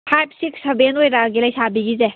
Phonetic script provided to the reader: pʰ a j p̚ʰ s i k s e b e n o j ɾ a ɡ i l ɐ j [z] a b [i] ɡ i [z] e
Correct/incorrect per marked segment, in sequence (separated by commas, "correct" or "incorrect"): incorrect, correct, correct